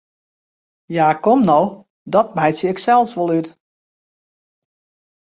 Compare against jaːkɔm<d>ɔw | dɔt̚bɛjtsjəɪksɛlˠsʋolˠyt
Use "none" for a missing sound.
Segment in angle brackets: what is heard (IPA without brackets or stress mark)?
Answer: n